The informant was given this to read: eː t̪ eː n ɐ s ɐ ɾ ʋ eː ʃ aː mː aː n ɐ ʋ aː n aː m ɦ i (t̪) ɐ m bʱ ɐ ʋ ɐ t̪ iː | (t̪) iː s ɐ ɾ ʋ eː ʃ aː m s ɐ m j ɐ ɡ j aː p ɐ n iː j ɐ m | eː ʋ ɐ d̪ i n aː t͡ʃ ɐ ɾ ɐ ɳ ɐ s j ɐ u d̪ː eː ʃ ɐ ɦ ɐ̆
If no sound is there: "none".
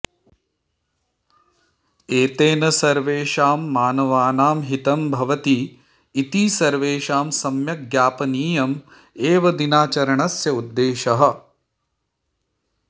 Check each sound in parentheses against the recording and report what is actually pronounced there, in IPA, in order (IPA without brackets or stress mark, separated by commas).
t̪, t̪